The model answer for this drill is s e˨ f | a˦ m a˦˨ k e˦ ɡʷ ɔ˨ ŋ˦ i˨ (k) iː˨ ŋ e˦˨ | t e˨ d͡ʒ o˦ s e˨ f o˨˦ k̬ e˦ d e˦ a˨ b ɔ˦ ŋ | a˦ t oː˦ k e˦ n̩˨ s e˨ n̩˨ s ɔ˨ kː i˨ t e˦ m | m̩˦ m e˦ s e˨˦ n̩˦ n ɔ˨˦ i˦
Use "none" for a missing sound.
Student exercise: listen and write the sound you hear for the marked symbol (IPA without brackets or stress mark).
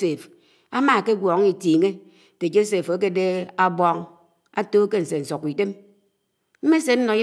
t